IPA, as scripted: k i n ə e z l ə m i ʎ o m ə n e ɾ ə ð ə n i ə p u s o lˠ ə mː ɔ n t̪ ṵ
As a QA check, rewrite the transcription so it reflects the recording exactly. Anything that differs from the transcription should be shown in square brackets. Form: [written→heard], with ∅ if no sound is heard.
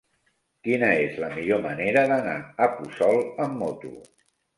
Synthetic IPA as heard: k i n ə e z l ə m i ʎ o m ə n e ɾ ə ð ə n [i→a] ə p u s [o→ɔ] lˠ ə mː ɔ [n→∅] t̪ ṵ